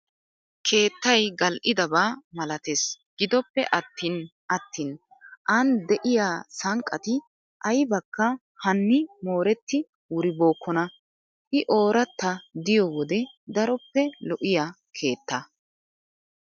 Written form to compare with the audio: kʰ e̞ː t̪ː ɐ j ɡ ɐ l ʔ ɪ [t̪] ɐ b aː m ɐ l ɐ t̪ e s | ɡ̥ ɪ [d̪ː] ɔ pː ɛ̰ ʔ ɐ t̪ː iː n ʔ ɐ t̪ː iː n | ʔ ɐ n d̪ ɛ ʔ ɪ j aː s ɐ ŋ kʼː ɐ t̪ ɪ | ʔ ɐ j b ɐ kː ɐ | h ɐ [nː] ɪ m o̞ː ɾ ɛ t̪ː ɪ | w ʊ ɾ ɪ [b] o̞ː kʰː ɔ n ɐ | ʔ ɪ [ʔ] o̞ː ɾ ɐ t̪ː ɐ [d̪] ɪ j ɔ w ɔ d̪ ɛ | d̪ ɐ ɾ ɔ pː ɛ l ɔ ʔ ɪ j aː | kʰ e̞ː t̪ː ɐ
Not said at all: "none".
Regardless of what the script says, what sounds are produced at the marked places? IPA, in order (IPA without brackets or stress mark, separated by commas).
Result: d̪, d̪, nː, b, ʔ, d̪